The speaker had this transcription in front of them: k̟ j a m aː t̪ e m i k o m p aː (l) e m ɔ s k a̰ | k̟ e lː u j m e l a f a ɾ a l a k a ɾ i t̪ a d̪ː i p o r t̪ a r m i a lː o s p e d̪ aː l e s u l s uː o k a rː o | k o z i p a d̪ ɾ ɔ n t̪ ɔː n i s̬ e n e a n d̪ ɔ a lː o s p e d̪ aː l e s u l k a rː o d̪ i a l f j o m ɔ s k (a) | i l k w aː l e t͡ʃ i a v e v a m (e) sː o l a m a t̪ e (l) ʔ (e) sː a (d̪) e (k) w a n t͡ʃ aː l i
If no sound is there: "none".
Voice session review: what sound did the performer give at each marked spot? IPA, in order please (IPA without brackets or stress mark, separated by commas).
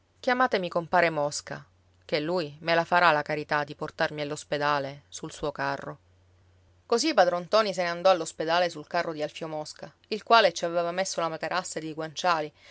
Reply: ɾ, a, e, ɾ, a, d̪, ɡ